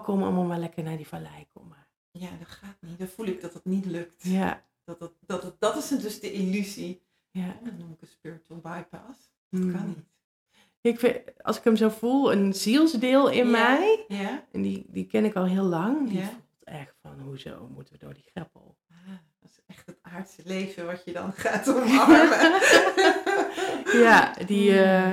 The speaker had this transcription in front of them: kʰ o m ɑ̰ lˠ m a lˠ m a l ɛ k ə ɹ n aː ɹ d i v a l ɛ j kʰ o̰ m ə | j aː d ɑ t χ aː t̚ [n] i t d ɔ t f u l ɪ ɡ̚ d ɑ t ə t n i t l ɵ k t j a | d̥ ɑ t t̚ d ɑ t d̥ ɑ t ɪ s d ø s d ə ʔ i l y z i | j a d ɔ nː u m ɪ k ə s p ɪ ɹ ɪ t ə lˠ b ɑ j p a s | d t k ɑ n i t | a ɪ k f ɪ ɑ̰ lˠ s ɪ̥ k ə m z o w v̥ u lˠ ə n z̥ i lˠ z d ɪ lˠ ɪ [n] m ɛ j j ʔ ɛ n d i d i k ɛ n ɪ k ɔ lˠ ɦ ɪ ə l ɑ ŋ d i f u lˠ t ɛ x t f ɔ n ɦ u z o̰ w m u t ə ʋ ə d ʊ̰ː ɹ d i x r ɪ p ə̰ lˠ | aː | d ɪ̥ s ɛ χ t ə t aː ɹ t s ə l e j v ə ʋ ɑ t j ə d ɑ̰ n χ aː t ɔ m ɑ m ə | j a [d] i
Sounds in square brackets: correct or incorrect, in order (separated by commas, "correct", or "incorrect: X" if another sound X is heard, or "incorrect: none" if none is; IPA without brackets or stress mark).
correct, correct, correct